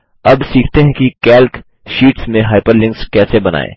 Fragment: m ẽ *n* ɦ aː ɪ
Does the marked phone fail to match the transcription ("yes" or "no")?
yes